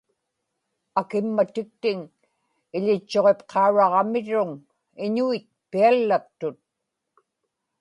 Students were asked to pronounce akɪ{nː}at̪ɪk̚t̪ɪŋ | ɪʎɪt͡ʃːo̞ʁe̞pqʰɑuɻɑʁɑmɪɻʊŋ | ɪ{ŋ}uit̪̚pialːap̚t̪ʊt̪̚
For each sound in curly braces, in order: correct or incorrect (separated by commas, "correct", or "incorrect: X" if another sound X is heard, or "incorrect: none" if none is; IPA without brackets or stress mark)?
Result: incorrect: mː, incorrect: ɲ